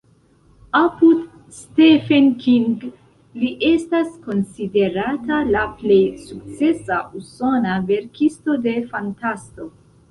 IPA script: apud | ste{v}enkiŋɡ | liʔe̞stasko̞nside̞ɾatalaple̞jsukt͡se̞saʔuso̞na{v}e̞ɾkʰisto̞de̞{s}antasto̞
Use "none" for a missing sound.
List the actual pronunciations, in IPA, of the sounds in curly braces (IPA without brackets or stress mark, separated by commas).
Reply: f, v, f